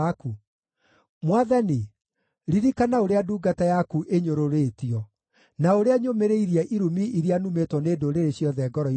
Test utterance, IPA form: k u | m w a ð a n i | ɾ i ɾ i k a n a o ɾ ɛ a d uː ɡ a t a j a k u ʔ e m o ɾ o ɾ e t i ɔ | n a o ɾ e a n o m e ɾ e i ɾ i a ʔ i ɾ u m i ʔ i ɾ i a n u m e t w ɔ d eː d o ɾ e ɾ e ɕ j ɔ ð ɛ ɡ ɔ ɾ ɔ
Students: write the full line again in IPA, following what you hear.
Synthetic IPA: k u | m w a ð a n i | ɾ i ɾ i k a n a o ɾ e a d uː ɡ a t a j a k u ʔ e ɲ o ɾ o ɾ e t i ɔ | n a o ɾ e a ɲ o m e ɾ e i ɾ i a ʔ i ɾ u m i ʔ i ɾ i a n u m e t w ɔ n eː d o ɾ e ɾ e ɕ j ɔ ð ɛ ɡ ɔ ɾ ɔ